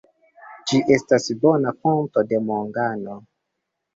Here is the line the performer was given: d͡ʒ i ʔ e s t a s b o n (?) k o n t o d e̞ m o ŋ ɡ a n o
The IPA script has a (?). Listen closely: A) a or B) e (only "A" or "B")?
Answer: A